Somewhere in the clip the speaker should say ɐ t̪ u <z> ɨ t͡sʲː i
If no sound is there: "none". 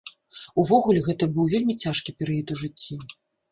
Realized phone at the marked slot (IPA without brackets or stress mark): ʐ